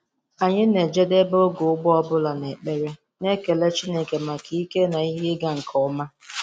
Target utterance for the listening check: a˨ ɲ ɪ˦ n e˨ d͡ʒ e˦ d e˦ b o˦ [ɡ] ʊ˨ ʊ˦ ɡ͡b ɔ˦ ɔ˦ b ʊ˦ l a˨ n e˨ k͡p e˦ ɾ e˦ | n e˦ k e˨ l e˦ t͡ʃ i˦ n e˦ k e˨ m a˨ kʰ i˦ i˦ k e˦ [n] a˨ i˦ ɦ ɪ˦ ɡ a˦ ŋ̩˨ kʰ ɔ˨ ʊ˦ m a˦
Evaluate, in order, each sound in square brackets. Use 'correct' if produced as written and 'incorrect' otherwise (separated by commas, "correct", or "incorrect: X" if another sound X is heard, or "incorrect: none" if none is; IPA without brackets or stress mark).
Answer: correct, correct